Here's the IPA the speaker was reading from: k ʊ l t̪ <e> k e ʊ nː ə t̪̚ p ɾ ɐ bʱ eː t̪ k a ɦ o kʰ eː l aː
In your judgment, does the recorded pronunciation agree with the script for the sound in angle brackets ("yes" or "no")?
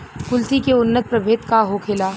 no